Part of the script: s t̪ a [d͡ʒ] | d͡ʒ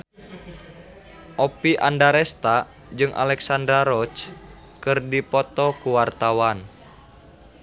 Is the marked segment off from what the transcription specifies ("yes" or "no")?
yes